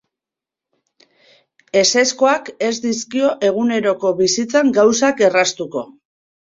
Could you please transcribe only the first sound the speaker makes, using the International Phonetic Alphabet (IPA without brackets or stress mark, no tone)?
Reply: e̞